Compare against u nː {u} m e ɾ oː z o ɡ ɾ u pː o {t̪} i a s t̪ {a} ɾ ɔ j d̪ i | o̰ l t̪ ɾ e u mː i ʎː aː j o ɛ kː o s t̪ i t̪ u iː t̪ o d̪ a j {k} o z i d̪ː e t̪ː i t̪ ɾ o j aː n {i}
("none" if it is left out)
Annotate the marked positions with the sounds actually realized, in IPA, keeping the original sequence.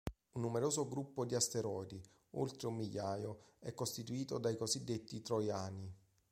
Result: u, d̪, e, k, i

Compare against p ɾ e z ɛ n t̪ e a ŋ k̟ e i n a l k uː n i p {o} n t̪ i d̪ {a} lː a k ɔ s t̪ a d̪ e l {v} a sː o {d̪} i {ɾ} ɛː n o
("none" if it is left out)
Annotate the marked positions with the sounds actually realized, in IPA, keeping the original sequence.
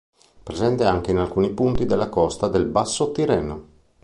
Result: u, e, b, t̪, ɾ

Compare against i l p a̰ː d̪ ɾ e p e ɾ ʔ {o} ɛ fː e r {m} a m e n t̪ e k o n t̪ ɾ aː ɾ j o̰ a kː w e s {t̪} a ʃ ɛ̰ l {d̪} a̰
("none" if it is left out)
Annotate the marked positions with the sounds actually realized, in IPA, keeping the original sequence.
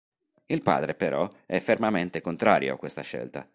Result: ɔ, m, t̪, t̪

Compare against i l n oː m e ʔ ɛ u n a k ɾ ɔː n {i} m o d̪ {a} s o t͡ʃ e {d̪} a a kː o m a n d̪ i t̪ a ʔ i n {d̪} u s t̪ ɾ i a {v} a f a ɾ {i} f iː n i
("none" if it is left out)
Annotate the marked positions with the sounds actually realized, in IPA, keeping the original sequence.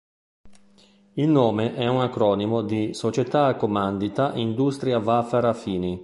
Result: i, i, t̪, d̪, v, a

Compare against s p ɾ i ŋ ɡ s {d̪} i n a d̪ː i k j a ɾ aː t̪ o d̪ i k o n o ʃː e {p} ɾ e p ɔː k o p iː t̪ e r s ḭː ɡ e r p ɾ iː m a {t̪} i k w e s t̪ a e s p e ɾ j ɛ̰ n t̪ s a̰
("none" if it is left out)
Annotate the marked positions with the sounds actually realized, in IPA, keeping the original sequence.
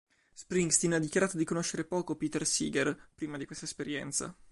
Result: t̪, none, d̪

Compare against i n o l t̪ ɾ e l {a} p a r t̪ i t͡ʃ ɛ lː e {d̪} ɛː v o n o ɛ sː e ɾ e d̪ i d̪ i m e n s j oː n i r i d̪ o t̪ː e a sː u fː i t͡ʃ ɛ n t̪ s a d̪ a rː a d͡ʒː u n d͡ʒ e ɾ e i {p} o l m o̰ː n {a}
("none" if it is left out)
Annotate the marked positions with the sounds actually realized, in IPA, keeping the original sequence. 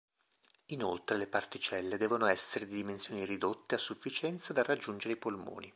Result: e, d̪, p, i

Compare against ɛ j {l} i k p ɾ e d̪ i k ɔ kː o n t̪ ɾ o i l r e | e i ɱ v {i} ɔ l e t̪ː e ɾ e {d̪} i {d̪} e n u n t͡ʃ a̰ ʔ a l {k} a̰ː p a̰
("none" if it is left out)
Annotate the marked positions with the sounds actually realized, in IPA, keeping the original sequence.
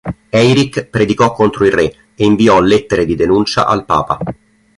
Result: ɾ, i, d̪, d̪, p

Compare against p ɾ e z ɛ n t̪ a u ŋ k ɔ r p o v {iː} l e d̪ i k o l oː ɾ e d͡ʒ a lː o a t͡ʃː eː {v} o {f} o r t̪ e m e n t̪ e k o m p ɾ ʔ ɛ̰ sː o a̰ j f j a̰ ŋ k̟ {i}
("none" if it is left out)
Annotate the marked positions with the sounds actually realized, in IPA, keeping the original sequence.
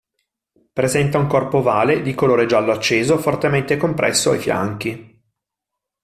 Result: aː, z, f, i

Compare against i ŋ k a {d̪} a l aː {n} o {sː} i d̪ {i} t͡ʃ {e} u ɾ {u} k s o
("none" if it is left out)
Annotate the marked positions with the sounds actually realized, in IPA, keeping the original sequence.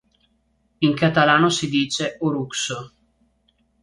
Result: t̪, n, s, iː, e, u

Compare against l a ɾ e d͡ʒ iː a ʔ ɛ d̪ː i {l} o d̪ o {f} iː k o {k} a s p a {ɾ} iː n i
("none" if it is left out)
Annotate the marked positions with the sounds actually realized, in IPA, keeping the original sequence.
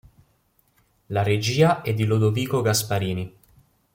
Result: l, v, ɡ, ɾ

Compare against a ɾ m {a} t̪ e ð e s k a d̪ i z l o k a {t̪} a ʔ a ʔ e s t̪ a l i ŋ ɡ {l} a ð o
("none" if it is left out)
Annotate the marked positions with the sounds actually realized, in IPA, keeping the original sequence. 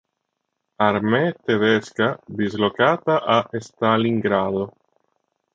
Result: e, t̪, ɾ

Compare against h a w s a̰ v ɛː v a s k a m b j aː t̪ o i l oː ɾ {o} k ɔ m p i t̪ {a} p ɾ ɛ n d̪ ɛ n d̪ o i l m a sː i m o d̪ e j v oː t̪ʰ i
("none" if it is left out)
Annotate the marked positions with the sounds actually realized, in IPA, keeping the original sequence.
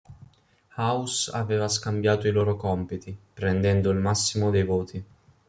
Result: o, i

